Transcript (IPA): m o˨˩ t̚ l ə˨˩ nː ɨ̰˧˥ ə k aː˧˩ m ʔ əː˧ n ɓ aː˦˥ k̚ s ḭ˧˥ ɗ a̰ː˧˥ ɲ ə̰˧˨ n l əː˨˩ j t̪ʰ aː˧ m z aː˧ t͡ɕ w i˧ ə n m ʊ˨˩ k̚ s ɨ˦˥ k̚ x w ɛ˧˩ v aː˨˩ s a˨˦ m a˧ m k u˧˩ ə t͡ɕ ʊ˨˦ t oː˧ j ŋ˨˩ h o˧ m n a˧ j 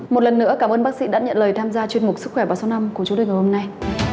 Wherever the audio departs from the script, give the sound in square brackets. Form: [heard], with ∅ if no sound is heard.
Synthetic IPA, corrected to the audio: m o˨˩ t̚ l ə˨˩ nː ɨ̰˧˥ ə k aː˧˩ m ʔ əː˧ n ɓ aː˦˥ k̚ s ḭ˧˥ ɗ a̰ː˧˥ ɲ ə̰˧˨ n l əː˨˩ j t̪ʰ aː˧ m z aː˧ t͡ɕ w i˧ ə n m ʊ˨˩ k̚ s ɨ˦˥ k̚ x w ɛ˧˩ v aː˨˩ s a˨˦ [n] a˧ m k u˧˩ ə t͡ɕ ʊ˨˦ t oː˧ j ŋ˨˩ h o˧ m n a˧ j

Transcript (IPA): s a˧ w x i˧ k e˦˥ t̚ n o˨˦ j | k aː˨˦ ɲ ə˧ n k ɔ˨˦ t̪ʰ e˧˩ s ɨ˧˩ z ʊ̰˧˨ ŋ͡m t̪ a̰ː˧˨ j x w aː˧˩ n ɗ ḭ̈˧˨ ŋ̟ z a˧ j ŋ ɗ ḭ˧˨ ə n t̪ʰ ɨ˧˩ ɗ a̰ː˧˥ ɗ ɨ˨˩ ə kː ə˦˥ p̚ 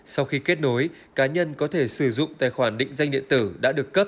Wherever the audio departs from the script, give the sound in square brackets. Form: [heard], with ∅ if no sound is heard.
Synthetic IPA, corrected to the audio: s a˧ w x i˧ k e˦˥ t̚ n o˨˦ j | k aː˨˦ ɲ ə˧ n k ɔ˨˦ t̪ʰ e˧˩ s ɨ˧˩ z ʊ̰˧˨ ŋ͡m t̪ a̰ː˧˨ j x w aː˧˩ n ɗ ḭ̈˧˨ ŋ̟ z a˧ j ŋ ɗ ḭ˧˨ ə n [t̪] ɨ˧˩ ɗ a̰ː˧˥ ɗ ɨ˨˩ ə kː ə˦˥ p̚

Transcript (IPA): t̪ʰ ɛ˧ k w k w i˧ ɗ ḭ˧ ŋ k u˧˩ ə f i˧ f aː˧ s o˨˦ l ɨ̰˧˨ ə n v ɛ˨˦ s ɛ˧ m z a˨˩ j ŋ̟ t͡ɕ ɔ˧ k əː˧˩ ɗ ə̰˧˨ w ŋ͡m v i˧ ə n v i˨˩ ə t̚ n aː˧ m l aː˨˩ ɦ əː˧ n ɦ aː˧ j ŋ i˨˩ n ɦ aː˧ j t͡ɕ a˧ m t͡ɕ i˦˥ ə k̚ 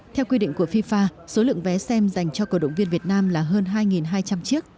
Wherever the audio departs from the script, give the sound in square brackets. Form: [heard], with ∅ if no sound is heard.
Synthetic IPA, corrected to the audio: t̪ʰ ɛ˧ [∅] w k w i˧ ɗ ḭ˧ ŋ k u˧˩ ə f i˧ f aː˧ s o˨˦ l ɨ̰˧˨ ə [ŋ] v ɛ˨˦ s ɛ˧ m z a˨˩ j ŋ̟ t͡ɕ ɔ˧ k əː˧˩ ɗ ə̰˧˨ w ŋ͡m v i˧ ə n v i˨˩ ə t̚ n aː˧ m l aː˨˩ ɦ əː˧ n ɦ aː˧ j ŋ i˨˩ n ɦ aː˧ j t͡ɕ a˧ m t͡ɕ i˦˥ ə k̚

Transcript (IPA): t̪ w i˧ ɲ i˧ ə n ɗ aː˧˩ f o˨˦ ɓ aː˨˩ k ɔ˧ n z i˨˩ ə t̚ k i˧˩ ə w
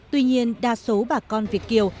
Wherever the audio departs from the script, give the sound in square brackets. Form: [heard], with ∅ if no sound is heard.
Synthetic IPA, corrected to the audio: t̪ w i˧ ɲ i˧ ə n ɗ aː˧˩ [s] o˨˦ ɓ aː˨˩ k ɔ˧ n [v] i˨˩ ə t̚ k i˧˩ ə w

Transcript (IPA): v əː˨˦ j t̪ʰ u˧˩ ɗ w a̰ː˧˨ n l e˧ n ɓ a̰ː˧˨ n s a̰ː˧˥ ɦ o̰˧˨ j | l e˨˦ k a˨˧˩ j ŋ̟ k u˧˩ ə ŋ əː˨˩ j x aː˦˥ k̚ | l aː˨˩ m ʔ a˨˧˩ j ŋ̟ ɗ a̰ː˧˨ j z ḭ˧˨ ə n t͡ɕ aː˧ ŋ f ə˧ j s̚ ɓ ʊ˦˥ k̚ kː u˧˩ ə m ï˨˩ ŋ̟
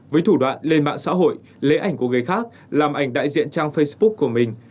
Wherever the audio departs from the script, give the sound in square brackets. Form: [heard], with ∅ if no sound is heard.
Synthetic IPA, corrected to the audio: v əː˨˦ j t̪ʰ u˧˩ ɗ w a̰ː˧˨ n l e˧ n ɓ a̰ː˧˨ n s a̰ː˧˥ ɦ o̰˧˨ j | l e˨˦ [ʔ] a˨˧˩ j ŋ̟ k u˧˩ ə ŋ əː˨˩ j x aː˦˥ k̚ | l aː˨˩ m ʔ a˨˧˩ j ŋ̟ ɗ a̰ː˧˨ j z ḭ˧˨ ə n t͡ɕ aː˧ ŋ f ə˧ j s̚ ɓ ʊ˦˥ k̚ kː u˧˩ ə m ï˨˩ ŋ̟

